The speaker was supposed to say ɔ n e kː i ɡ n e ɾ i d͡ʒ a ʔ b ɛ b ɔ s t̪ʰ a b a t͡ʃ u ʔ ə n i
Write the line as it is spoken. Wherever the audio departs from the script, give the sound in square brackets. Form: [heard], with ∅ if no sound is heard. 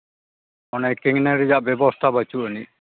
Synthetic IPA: ɔ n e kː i [ŋ] n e ɾ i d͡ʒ a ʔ b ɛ b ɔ s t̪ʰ a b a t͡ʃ u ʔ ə n i